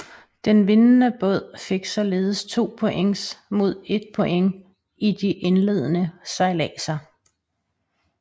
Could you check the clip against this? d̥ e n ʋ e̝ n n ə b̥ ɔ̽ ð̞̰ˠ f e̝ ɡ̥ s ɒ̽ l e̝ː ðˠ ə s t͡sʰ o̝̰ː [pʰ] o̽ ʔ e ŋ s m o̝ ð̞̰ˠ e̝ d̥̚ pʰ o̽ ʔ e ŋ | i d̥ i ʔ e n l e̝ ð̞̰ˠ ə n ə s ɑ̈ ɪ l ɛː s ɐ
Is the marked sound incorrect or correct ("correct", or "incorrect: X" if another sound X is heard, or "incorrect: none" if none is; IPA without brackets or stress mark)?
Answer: correct